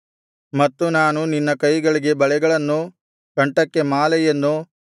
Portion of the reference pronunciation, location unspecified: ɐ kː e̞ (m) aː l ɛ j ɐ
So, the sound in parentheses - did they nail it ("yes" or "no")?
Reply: yes